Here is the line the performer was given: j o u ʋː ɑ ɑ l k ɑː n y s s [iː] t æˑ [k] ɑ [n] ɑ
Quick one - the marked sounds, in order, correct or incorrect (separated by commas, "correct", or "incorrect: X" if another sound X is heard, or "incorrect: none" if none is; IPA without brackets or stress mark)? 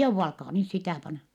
incorrect: i, incorrect: p, correct